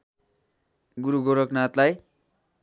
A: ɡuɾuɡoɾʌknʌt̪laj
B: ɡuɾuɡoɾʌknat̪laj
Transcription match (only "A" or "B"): B